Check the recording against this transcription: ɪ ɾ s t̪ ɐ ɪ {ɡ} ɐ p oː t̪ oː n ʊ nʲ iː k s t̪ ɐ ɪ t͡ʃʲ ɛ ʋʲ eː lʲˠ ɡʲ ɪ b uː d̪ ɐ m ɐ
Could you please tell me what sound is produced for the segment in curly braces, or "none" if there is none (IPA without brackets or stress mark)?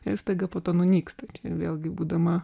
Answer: ɡ